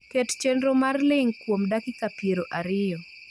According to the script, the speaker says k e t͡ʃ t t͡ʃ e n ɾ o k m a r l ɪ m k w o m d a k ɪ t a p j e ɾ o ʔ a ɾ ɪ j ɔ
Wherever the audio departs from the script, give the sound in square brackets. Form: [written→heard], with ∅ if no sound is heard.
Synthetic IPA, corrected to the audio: k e [t͡ʃ→∅] t t͡ʃ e n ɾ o [k→∅] m a r l ɪ [m→ŋ] k w o m d a k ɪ [t→k] a p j e ɾ o ʔ a ɾ ɪ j ɔ